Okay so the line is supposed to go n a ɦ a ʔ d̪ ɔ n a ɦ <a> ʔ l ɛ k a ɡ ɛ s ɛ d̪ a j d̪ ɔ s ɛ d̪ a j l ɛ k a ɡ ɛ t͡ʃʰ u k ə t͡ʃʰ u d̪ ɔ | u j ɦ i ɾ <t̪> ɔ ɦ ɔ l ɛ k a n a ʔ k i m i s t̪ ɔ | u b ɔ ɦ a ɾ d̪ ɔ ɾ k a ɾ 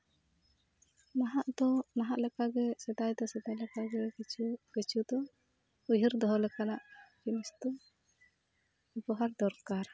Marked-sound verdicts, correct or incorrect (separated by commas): correct, incorrect